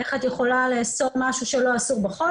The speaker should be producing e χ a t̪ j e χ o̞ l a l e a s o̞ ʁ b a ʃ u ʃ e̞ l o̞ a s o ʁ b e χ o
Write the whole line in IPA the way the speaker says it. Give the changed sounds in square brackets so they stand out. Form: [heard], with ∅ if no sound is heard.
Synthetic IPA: e χ a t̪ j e χ o̞ l a l e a s o̞ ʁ [m] a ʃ u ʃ e̞ l o̞ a s [u] ʁ b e χ o

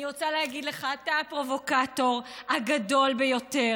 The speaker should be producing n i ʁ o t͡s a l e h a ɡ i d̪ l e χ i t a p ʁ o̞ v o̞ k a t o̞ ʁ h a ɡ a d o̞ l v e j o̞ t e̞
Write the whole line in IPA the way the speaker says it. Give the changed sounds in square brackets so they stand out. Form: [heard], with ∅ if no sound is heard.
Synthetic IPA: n i ʁ o t͡s a l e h a ɡ i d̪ l e χ [a] t a p ʁ o̞ v o̞ k a t o̞ ʁ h a ɡ a d o̞ l [b] e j o̞ t e̞

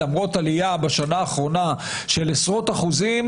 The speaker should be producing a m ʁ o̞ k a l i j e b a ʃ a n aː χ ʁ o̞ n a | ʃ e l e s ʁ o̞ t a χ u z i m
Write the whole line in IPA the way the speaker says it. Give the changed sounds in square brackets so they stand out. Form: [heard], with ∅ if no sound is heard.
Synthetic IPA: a m ʁ o̞ [t] a l i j [a] b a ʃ a n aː χ ʁ o̞ n a | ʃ e l e s ʁ o̞ t a χ u z i m

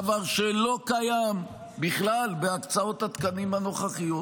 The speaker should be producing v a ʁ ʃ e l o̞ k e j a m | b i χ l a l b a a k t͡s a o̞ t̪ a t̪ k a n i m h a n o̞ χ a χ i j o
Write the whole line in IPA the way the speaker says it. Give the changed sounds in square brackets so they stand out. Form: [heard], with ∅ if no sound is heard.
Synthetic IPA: v a ʁ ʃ e l o̞ k [a] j a m | b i χ l a l b [e] a k t͡s a o̞ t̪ a t̪ k a n i m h a n o̞ χ a χ i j o

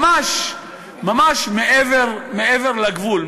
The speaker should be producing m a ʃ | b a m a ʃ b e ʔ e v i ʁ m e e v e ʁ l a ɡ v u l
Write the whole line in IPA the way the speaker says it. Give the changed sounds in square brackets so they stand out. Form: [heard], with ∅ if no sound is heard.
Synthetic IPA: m a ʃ | [m] a m a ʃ [m] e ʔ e v [e] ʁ m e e v e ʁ l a ɡ v u l

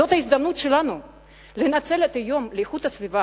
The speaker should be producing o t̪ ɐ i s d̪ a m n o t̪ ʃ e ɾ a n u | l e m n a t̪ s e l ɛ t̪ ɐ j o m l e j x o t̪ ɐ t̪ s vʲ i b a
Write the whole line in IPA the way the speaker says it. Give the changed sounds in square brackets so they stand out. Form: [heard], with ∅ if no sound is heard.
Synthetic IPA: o t̪ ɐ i [z] d̪ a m n [u] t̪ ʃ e [l] a n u | l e [∅] n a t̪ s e l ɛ t̪ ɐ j o m l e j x [u] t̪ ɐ [∅] s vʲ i [v] a

